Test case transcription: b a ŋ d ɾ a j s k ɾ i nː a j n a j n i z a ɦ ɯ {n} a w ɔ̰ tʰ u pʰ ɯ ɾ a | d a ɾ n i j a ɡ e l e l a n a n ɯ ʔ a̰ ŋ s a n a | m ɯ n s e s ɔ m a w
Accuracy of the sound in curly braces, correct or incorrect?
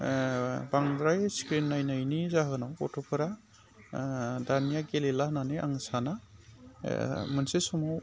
correct